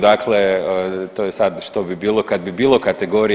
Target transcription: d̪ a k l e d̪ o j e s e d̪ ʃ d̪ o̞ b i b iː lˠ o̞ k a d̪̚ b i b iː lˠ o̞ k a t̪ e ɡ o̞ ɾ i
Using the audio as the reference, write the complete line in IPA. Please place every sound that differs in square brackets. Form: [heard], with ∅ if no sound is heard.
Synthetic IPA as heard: d̪ a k l e [t̪] o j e s [a] d̪ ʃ [t̪] o̞ b i b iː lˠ o̞ k a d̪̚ b i b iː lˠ o̞ k a t̪ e ɡ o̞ ɾ i